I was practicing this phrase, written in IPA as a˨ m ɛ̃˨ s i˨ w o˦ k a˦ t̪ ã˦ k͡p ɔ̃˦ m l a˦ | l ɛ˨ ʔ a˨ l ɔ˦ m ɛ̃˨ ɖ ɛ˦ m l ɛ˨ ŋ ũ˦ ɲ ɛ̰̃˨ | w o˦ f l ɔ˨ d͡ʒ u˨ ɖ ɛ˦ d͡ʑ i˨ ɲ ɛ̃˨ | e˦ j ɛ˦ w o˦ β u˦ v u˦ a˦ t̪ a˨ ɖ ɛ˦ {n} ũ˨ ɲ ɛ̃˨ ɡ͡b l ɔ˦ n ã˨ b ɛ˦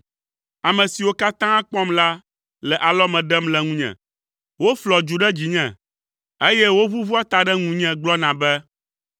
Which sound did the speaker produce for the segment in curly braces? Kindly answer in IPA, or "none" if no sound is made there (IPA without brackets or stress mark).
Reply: ŋ